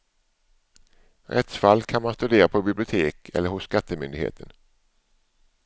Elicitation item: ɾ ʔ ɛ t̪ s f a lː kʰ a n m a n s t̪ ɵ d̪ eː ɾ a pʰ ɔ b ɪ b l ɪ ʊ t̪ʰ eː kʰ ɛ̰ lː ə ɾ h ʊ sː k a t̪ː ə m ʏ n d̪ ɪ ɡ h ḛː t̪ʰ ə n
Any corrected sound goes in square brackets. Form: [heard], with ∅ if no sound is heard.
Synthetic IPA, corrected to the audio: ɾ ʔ ɛ t̪ s f a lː kʰ a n m a n s t̪ ɵ d̪ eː ɾ a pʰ ɔ b ɪ b l ɪ ʊ t̪ʰ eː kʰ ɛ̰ lː ə ɾ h ʊ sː k a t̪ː ə m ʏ n d̪ ɪ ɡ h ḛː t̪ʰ ə n